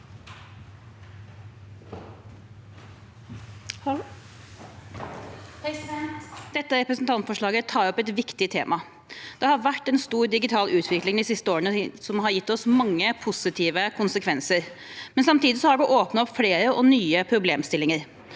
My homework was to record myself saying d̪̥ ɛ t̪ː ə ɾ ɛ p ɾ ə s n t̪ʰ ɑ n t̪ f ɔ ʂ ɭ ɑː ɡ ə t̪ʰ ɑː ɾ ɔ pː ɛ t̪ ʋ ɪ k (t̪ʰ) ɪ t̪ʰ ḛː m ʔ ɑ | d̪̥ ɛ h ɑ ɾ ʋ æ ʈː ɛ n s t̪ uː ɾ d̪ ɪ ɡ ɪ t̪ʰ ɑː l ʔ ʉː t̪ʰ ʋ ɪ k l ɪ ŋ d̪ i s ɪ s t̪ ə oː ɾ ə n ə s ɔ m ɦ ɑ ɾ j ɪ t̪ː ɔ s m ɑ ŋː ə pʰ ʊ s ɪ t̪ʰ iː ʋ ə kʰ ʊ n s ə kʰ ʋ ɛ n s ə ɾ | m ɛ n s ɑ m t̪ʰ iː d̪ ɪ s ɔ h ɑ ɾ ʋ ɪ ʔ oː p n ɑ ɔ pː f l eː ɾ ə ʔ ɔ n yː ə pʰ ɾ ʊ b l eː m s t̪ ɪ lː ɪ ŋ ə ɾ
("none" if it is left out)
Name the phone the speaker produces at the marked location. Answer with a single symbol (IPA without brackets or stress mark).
t̪